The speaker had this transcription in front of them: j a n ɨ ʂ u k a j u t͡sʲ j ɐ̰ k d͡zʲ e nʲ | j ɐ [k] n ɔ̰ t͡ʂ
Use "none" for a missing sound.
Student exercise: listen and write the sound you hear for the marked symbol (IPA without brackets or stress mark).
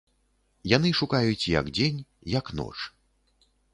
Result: k